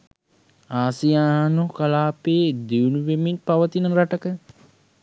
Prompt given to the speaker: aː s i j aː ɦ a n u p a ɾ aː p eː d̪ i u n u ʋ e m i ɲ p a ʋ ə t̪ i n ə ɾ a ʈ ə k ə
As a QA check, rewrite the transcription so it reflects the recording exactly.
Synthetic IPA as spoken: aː s i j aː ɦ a n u k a l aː p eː d̪ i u n u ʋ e m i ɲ p a ʋ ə t̪ i n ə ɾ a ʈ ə k ə